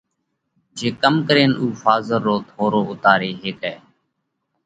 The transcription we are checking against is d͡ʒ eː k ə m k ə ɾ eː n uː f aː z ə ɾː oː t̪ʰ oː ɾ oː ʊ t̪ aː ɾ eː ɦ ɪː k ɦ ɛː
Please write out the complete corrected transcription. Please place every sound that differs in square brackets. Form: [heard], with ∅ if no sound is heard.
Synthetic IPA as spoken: d͡ʒ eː k ə m k ə ɾ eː n uː f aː z ə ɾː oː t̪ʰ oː ɾ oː ʊ t̪ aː ɾ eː ɦ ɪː k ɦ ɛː